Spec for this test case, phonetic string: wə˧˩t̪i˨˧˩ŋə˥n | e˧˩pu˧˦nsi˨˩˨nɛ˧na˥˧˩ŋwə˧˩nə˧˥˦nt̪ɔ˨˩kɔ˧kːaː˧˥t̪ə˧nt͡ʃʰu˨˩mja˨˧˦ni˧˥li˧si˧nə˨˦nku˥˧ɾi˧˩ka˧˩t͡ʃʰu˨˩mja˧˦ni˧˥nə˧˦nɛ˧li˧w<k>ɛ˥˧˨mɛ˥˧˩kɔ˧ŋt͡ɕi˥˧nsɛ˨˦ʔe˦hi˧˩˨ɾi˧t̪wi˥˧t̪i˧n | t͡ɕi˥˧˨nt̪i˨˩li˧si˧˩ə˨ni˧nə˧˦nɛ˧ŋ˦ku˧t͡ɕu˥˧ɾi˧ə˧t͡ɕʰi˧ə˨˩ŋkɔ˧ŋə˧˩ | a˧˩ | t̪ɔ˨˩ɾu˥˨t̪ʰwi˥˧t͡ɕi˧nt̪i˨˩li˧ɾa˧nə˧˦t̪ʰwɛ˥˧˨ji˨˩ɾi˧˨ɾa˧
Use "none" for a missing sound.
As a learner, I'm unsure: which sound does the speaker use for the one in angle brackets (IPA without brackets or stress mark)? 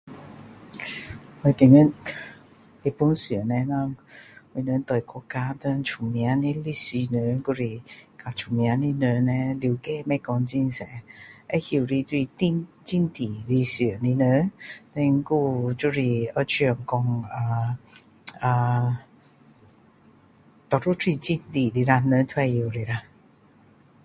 k